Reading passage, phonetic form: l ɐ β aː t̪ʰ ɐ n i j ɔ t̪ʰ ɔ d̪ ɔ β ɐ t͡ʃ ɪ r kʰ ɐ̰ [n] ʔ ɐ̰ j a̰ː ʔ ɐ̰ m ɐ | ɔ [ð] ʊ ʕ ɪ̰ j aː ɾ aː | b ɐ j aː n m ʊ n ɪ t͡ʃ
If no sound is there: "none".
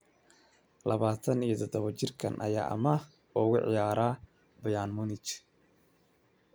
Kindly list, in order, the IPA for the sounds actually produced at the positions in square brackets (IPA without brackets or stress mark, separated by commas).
n, ɣ